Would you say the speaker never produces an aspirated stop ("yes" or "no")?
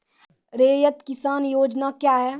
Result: yes